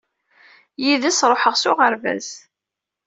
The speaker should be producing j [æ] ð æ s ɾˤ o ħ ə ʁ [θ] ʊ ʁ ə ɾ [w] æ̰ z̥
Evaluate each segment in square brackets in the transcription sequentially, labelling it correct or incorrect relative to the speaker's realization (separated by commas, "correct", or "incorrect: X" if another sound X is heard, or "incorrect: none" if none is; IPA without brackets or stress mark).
incorrect: i, incorrect: s, incorrect: v